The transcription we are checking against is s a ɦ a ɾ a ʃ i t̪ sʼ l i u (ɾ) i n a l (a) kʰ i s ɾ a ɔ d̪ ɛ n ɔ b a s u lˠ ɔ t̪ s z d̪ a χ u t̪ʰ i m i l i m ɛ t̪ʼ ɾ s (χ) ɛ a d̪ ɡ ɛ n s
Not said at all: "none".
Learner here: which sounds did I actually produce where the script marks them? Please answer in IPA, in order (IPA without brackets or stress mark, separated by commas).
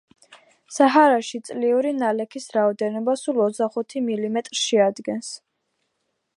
ɾ, ɛ, ʃ